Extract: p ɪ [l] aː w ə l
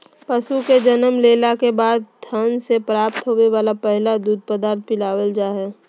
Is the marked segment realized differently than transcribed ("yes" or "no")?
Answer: no